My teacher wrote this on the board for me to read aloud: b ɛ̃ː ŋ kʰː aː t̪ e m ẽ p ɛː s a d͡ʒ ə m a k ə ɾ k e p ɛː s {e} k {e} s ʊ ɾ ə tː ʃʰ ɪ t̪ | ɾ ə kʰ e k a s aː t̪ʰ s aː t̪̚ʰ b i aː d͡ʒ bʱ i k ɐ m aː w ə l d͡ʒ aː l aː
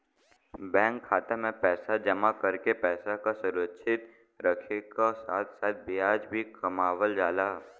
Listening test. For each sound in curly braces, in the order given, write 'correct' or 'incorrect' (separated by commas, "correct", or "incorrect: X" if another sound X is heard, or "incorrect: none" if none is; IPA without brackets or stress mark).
incorrect: a, incorrect: a